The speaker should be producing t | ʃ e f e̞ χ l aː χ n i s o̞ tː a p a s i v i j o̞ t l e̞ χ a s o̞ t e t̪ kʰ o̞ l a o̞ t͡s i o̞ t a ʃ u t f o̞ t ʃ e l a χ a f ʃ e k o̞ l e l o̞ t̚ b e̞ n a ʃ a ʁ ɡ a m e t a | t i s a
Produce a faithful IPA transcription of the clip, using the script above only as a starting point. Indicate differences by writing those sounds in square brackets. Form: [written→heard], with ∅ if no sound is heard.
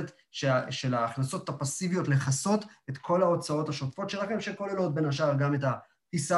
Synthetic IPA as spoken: t | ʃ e [f→ʃ] e̞ [χ→∅] l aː χ n [i→a] s o̞ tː a p a s i v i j o̞ t l e̞ χ a s o̞ t e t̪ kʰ o̞ l a o̞ t͡s [i→a] o̞ t a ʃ [u→o] t f o̞ t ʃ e l a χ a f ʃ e k o̞ l e l o̞ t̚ b e̞ n a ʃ a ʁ ɡ a m e t a | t i s a